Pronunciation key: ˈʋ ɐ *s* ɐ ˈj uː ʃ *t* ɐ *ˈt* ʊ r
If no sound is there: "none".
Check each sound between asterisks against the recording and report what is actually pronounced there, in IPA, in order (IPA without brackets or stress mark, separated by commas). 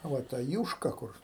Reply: t, k, k